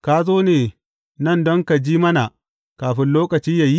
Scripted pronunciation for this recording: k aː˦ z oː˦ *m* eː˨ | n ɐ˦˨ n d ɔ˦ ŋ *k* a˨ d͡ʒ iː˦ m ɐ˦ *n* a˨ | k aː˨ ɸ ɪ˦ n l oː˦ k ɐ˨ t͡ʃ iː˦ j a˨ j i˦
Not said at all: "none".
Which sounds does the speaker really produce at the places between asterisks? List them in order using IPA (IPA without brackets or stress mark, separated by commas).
n, k, n